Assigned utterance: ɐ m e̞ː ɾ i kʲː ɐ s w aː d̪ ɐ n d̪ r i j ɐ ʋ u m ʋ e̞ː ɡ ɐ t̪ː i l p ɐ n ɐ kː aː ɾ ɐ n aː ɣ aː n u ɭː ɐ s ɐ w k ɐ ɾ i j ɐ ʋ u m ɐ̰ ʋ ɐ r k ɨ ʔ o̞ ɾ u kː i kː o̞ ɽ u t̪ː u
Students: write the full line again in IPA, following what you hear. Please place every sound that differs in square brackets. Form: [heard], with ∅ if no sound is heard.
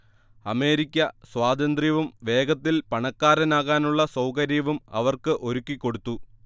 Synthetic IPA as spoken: ɐ m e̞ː ɾ i kʲː ɐ s w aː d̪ ɐ n d̪ r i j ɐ ʋ u m ʋ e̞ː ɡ ɐ t̪ː i l p ɐ [ɳ] ɐ kː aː ɾ ɐ n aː ɣ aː n u ɭː ɐ s ɐ w k ɐ ɾ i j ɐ ʋ u m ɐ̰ ʋ ɐ r k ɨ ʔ o̞ ɾ u kː i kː o̞ ɽ u t̪ː u